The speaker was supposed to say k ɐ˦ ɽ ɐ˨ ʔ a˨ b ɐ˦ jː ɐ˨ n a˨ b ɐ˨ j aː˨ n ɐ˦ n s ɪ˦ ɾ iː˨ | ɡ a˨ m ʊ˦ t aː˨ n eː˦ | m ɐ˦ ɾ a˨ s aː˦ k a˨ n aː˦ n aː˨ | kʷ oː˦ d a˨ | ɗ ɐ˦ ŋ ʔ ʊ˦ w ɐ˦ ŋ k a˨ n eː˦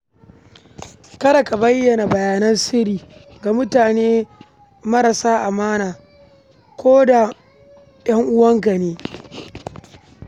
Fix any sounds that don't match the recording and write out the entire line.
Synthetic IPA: k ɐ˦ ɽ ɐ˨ k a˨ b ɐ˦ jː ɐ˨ n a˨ b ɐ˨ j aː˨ n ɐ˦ n s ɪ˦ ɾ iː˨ | ɡ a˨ m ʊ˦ t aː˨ n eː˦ | m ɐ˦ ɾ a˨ s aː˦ ʔ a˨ m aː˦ n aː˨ | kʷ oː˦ d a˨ | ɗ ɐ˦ ŋ ʔ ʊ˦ w ɐ˦ ŋ k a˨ n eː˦

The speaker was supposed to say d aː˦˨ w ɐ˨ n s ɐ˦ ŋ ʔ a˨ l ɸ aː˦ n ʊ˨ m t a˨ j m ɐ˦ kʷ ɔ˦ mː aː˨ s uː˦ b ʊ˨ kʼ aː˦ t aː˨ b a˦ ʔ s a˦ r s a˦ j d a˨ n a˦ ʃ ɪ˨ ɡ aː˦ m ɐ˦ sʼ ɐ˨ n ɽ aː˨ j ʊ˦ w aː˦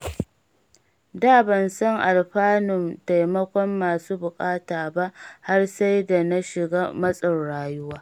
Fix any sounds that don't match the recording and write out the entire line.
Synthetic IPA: d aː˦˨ b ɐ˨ n s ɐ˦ ŋ ʔ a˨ l ɸ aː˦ n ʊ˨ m t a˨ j m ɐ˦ kʷ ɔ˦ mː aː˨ s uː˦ b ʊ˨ kʼ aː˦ t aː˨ b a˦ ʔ h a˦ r s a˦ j d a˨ n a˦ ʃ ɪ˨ ɡ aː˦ m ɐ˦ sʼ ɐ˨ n ɽ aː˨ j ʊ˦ w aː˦

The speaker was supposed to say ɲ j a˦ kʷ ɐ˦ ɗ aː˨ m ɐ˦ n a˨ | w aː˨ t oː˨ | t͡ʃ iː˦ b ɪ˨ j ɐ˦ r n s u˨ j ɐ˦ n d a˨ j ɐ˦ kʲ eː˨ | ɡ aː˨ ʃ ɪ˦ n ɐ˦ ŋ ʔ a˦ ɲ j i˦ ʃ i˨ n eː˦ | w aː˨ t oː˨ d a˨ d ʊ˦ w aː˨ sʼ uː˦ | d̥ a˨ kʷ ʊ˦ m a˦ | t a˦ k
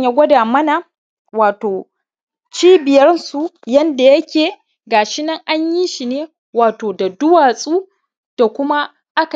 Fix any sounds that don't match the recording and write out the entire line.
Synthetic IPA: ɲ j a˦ ɡʷ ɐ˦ d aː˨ m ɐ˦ n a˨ | w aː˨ t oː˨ | t͡ʃ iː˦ b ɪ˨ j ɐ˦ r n s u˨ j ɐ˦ n d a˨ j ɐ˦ kʲ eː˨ | ɡ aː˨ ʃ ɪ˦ n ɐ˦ ŋ ʔ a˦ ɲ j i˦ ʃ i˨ n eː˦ | w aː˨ t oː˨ d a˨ d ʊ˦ w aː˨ sʼ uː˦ | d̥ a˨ kʷ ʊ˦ m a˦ | ʔ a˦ k

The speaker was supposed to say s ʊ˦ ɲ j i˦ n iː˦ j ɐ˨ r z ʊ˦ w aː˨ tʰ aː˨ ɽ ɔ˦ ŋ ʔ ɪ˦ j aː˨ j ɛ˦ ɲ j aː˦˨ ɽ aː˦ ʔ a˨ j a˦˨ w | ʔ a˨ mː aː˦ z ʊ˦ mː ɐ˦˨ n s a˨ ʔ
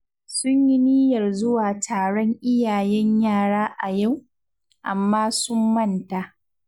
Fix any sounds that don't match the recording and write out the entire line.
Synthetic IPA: s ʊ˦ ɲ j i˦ n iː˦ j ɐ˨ r z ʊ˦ w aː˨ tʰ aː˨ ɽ ɔ˦ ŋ ʔ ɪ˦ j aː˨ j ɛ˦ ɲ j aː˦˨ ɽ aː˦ ʔ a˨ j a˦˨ w | ʔ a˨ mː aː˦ s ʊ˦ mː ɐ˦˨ n t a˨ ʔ

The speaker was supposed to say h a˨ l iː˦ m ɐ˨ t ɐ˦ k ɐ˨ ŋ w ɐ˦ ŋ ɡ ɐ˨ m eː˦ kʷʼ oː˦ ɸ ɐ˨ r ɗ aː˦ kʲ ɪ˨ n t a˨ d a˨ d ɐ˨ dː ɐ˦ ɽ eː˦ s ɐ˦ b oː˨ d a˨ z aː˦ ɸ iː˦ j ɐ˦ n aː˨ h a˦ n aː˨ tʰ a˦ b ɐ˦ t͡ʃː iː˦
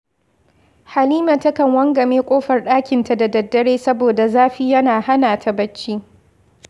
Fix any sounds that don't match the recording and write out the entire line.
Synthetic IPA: h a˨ l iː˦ m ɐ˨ t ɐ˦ k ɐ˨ ŋ w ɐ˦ ŋ ɡ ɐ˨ m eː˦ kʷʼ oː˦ ɸ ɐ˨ r ɗ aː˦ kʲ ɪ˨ n t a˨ d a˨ d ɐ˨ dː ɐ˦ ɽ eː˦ s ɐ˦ b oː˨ d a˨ z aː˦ ɸ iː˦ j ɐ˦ n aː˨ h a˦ n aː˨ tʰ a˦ b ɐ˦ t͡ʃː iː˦

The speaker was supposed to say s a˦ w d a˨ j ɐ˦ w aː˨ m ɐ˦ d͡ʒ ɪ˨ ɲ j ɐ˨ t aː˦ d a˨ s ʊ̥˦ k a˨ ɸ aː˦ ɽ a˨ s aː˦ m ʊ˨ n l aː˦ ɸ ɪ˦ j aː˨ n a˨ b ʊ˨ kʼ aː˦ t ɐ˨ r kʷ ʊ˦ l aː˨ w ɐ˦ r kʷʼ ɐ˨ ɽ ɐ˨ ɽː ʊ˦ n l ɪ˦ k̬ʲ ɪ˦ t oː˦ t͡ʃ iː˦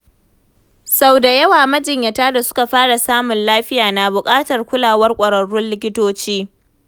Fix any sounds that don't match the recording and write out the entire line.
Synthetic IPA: s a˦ w d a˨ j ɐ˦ w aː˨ m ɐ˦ d͡ʒ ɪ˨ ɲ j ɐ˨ t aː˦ d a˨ s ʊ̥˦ k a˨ ɸ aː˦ ɽ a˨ s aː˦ m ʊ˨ n l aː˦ ɸ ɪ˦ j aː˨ n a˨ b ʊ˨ kʼ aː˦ t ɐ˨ r kʷ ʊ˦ l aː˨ w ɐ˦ r kʷʼ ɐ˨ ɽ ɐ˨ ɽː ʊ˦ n l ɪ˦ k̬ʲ ɪ˦ t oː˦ t͡ʃ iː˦

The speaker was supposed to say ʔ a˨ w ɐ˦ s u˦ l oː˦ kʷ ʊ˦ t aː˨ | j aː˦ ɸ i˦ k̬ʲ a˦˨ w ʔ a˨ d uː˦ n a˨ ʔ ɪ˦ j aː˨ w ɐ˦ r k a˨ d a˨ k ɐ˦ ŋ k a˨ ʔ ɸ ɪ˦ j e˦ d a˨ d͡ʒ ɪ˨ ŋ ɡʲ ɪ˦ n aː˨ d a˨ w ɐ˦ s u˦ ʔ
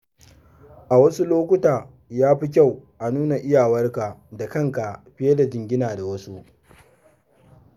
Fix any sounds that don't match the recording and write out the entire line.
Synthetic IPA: ʔ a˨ w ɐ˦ s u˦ l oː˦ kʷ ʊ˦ t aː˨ | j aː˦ ɸ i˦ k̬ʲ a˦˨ w ʔ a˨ n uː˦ n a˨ ʔ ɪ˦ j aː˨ w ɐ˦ r k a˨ d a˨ k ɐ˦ ŋ k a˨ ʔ ɸ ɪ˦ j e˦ d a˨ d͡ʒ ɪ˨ ŋ ɡʲ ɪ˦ n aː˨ d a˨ w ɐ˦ s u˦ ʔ

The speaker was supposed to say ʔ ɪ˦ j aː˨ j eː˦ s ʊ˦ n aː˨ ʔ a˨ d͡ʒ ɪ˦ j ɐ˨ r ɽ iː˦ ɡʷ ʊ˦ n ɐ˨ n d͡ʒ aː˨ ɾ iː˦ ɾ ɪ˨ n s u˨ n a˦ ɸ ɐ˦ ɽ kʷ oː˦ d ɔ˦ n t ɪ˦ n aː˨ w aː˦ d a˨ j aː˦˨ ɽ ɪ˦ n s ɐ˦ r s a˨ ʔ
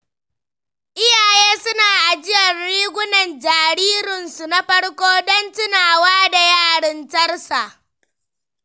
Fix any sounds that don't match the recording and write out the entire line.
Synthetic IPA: ʔ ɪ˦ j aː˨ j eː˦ s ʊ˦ n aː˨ ʔ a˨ d͡ʒ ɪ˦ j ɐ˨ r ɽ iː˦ ɡʷ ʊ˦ n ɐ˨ n d͡ʒ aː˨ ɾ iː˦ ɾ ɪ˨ n s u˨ n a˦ ɸ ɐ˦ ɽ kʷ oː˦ d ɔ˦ n t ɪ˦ n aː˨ w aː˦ d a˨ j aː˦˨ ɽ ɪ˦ n t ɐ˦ r s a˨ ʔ

